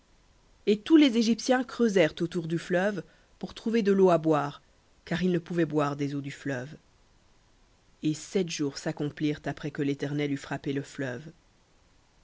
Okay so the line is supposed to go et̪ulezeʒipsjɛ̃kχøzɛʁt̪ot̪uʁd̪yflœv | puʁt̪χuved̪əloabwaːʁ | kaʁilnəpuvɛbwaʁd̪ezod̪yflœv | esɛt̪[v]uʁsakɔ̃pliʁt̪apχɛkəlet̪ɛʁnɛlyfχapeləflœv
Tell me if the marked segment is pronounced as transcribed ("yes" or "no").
no